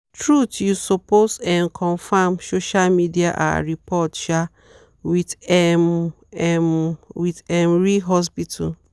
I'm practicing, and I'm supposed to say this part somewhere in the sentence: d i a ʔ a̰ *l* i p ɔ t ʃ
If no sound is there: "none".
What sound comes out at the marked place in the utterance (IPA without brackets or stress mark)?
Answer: ɹ